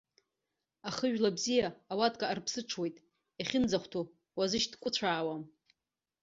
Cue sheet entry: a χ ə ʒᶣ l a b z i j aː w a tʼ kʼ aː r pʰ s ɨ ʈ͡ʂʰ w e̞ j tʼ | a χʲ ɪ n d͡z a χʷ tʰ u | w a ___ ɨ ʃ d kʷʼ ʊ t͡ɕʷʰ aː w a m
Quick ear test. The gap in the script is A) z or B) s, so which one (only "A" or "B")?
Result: A